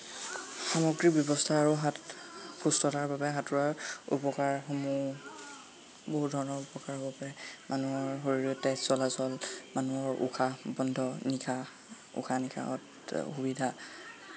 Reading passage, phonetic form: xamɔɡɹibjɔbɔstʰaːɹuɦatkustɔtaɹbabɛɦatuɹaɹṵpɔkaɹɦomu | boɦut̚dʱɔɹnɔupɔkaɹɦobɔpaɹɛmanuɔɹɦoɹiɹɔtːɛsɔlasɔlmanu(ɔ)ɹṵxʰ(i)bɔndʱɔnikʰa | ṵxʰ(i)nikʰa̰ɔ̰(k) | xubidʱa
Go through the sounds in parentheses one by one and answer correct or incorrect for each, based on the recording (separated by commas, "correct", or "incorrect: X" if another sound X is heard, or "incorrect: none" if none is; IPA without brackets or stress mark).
correct, incorrect: a, incorrect: a, incorrect: t